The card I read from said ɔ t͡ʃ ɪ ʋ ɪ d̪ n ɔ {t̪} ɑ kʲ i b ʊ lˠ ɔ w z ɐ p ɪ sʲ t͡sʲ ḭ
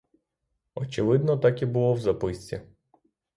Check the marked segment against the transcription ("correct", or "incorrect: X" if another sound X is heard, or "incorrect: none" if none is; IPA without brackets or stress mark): correct